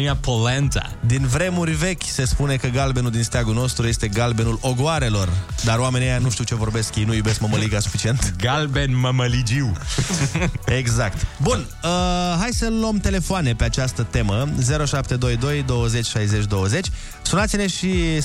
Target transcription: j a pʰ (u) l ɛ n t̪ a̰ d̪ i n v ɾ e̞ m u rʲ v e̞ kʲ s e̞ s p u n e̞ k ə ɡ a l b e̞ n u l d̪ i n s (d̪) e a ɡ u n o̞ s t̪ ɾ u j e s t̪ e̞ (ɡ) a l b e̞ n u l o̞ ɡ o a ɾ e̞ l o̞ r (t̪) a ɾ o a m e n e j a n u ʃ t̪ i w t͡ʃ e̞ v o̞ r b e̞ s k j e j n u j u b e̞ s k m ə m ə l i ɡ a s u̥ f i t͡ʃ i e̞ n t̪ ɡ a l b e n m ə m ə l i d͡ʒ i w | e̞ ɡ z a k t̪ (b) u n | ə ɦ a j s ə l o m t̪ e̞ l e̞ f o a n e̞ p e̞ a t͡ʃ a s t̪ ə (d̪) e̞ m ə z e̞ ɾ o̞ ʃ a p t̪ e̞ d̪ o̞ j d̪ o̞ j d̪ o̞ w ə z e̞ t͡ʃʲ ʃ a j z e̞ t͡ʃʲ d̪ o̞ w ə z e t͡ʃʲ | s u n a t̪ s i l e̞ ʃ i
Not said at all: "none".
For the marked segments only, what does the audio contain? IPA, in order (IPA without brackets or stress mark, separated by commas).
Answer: o, t̪, ɡ, d̪, b, t̪